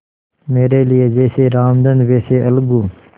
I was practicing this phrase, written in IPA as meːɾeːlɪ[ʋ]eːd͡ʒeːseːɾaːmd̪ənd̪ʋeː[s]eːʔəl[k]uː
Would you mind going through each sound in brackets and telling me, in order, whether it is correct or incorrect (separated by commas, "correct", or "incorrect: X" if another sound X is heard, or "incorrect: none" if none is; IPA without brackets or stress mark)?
incorrect: none, correct, incorrect: ɡ